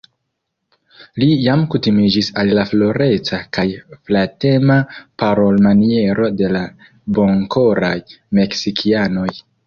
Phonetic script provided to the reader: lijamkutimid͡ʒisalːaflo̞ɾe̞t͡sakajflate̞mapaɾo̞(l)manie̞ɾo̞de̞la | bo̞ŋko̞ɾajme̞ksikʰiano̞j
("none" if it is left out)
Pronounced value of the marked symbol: l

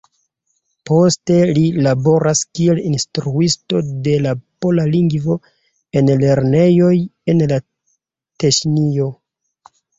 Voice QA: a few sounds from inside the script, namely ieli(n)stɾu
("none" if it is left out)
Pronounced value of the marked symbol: n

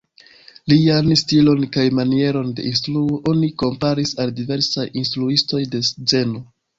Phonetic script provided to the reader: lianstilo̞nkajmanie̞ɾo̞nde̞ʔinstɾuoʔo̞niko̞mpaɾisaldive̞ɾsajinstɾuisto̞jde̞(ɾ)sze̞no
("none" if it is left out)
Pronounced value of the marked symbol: none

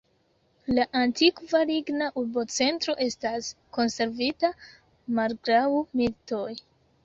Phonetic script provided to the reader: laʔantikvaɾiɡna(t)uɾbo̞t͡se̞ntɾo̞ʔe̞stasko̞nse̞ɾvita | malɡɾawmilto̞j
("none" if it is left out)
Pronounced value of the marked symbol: ʔ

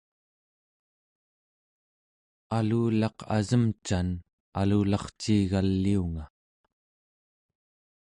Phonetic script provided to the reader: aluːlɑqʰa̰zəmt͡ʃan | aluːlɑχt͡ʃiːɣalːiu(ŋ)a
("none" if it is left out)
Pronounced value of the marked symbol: ŋ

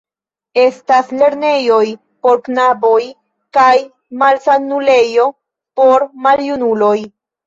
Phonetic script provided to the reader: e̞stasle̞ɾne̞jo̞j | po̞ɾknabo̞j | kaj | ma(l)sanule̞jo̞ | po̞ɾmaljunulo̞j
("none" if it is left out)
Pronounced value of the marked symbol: l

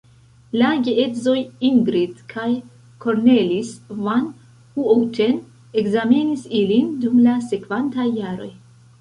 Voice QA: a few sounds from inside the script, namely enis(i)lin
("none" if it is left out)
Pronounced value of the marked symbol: i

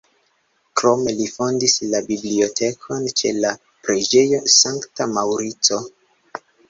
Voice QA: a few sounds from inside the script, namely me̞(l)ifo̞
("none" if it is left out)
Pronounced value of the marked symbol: l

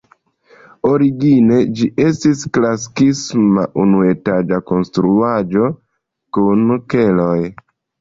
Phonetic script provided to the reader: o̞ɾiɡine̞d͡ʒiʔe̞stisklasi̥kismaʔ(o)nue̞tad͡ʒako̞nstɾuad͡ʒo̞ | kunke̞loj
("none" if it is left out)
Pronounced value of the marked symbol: u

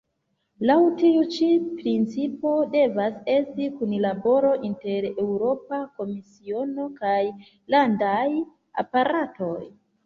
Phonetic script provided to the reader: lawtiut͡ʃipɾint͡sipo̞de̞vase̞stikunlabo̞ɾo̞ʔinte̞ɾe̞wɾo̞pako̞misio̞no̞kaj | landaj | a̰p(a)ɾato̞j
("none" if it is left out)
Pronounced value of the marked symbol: a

